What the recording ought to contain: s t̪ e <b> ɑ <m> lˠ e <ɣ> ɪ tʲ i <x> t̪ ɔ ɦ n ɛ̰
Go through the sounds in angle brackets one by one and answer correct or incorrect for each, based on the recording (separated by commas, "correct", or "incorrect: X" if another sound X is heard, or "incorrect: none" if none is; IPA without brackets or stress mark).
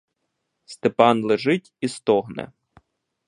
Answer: incorrect: p, incorrect: n, incorrect: ʒ, incorrect: s